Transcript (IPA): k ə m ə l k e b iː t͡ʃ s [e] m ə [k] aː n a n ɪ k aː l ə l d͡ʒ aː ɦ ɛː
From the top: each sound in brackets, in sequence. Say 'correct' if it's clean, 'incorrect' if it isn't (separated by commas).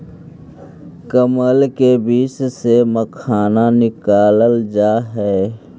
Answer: correct, incorrect